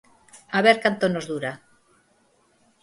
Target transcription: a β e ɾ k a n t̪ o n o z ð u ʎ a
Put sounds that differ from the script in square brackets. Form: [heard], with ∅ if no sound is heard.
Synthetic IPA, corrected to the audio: a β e ɾ k a n t̪ o n o z ð u [ɾ] a